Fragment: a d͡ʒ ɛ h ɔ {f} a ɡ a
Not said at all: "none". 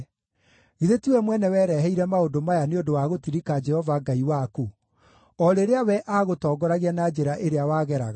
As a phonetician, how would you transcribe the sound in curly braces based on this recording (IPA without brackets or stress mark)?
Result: v